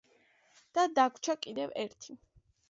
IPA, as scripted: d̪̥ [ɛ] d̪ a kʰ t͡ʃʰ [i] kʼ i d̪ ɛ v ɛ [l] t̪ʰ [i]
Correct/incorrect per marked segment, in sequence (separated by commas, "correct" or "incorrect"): incorrect, incorrect, incorrect, correct